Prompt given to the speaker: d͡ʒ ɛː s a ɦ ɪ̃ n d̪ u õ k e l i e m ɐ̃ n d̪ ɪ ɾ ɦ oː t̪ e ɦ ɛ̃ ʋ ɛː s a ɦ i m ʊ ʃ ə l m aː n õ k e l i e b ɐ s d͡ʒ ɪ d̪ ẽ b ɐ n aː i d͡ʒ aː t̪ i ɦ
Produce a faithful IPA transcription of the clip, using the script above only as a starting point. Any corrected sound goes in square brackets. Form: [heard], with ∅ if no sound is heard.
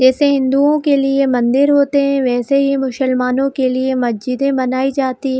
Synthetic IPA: d͡ʒ ɛː s [e] ɦ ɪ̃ n d̪ u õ k e l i e m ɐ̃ n d̪ ɪ ɾ ɦ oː t̪ e ɦ ɛ̃ ʋ ɛː s [e] ɦ i m ʊ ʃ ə l m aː n õ k e l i e [m] ɐ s d͡ʒ ɪ d̪ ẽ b ɐ n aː i d͡ʒ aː t̪ i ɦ